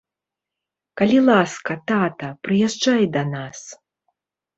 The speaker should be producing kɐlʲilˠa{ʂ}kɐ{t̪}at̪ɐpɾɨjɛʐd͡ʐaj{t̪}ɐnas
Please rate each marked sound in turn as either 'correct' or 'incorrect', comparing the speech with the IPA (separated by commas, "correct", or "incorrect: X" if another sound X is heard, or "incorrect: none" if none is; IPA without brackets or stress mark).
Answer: incorrect: s, correct, incorrect: d̪